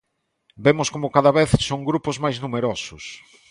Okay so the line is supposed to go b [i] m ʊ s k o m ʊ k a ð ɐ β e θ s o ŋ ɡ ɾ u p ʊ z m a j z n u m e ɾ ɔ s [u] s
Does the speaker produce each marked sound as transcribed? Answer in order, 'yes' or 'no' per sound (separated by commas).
no, no